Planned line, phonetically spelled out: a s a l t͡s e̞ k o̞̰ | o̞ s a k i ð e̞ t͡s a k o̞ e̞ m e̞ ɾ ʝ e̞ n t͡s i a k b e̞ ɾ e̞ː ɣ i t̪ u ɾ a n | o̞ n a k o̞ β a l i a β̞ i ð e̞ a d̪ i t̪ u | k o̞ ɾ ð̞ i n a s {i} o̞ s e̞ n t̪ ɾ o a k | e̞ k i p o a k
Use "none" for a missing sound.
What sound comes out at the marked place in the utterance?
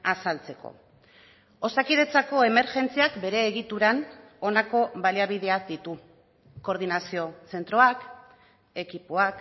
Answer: i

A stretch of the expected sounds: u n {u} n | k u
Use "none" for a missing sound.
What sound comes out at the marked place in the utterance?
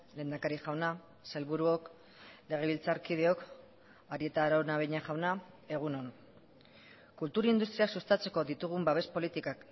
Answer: o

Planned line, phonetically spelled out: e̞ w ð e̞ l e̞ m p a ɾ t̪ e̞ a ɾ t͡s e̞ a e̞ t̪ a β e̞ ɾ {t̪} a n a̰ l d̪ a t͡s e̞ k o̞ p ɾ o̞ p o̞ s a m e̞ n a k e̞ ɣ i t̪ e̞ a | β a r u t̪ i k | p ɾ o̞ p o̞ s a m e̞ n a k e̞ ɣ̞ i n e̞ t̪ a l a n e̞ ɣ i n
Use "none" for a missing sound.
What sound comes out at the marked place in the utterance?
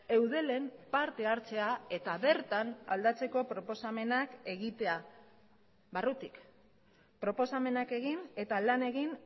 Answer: t̪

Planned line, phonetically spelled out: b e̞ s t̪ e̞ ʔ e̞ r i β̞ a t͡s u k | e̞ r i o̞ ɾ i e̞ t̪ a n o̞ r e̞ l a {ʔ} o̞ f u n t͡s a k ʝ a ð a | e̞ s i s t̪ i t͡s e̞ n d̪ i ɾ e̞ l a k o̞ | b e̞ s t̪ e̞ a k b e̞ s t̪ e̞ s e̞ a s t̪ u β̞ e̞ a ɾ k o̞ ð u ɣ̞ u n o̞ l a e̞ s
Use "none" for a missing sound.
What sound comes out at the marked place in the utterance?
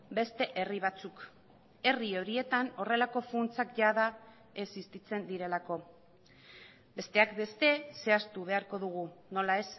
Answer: k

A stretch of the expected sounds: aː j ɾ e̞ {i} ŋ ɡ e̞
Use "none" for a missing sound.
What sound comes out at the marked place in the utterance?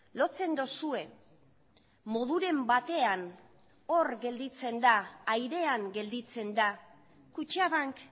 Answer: a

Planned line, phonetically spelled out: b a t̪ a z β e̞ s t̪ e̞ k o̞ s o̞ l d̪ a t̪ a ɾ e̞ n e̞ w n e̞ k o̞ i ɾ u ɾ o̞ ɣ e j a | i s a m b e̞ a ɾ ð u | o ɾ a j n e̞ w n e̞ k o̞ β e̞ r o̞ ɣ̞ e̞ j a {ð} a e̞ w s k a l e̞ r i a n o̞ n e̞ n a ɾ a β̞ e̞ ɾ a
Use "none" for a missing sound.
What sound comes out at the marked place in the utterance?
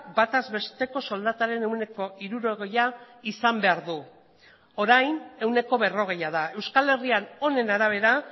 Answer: ð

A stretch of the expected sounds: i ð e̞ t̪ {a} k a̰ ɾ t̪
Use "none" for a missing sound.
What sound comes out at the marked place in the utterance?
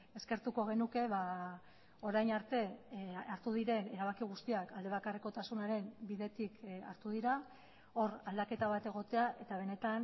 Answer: i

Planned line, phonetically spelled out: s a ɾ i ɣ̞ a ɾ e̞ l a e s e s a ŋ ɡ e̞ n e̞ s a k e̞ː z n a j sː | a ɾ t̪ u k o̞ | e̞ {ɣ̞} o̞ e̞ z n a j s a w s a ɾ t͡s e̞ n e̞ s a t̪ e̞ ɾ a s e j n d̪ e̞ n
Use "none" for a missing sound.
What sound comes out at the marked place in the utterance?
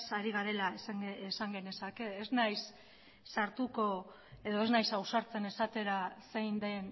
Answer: ð̞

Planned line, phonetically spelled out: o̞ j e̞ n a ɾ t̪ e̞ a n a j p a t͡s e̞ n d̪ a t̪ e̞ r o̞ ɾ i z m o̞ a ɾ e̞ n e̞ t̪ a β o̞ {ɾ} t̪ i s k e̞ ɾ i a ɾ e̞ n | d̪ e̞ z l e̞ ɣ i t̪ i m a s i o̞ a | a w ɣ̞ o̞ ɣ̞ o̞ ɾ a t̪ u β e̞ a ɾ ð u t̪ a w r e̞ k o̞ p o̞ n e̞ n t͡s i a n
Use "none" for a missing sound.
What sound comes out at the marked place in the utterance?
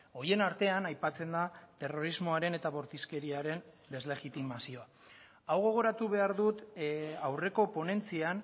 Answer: ɾ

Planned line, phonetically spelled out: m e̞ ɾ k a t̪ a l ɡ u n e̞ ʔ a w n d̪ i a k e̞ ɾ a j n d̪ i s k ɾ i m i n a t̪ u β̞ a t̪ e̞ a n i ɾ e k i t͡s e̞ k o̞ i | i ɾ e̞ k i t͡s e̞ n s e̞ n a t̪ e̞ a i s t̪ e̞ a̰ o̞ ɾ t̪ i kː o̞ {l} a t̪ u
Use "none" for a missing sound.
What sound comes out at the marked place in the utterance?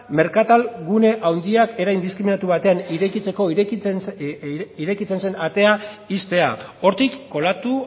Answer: l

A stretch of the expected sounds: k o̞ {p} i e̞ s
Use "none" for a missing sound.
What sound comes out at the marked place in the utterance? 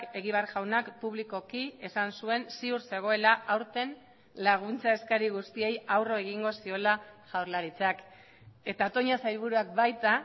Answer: k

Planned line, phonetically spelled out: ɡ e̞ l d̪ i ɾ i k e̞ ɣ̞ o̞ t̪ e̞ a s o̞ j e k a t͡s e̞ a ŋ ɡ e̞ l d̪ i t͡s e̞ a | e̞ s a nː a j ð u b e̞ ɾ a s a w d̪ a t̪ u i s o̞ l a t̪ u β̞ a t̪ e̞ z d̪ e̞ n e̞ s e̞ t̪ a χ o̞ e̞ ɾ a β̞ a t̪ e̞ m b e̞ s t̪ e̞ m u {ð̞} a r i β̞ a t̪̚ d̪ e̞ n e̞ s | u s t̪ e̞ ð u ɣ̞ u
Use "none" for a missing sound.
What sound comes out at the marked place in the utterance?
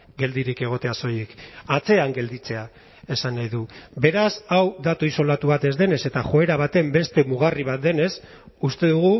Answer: ɣ̞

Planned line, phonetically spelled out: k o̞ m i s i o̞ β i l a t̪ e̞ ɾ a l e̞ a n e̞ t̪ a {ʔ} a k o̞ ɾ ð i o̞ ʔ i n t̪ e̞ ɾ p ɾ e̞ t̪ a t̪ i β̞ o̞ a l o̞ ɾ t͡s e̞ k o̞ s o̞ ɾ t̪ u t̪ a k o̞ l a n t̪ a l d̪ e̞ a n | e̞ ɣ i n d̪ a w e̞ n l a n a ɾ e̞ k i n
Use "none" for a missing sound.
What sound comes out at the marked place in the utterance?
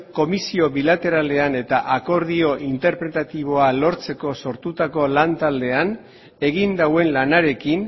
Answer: ʔ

